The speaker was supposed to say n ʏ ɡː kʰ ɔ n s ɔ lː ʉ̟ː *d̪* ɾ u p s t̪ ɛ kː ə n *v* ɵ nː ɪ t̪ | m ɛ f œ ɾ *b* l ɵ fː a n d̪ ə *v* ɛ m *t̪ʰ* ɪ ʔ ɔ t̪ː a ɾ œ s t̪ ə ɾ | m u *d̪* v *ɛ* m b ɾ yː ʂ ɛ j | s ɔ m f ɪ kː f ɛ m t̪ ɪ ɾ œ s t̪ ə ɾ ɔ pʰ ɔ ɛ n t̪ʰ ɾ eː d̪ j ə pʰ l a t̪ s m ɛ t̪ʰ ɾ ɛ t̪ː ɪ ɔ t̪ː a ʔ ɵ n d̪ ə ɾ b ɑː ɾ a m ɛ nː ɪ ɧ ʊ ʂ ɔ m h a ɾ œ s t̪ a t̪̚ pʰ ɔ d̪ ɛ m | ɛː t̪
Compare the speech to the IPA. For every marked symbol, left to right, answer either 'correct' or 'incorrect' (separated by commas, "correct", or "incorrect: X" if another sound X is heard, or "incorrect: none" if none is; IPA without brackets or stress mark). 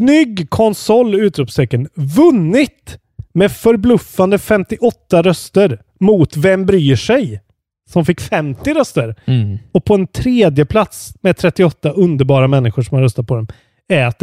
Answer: incorrect: t̪, correct, correct, incorrect: f, incorrect: t̪, incorrect: t̪, correct